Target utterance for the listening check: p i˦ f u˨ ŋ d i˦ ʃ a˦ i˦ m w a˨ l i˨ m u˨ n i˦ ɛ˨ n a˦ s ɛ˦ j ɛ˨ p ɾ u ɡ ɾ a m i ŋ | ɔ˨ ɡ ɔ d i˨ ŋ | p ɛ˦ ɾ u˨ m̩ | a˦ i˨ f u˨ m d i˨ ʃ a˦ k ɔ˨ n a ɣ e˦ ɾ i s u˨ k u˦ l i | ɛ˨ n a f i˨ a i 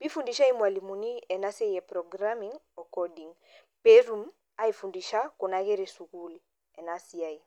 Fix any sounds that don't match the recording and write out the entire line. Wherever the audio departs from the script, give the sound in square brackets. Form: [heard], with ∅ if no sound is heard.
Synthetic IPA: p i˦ f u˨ [n] d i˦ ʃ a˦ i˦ m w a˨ l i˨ m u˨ n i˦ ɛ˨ n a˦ s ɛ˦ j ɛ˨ p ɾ [ɔ] ɡ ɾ a m i ŋ | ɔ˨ [k] ɔ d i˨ ŋ | p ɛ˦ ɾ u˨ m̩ | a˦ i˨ f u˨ [n] d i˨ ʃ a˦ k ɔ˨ n a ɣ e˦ ɾ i s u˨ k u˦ l i | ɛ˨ n a [s] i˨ a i

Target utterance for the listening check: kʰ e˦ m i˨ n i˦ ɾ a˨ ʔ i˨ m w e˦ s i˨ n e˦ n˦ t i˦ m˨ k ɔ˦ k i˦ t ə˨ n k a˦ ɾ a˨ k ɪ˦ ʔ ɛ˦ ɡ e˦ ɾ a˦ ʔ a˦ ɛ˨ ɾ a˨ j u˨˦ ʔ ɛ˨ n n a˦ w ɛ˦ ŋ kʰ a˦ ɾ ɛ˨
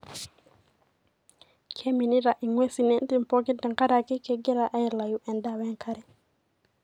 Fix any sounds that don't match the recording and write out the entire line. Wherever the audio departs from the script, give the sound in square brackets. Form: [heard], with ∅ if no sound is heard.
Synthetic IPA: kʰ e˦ m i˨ n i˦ ɾ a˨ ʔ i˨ [ŋ] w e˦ s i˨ n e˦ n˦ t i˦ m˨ [p] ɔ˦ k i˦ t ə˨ [ŋ] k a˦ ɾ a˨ k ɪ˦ [k] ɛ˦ ɡ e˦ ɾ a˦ ʔ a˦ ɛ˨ [l] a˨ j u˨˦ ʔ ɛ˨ n [d] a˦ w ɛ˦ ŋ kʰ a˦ ɾ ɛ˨

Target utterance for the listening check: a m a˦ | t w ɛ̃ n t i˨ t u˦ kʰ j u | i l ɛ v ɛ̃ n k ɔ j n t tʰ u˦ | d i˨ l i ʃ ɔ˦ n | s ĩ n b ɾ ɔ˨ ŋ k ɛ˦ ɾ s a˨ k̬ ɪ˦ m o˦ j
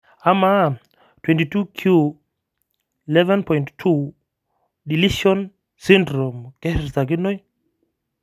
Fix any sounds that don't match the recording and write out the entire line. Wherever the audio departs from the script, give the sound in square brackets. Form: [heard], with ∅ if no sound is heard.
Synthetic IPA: a m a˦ | t w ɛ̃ n t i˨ t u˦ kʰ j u | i l ɛ v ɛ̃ n [p] ɔ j n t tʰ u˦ | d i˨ l i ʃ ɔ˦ n | s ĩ n [d] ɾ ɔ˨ [m] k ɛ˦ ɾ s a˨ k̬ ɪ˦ [n] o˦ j

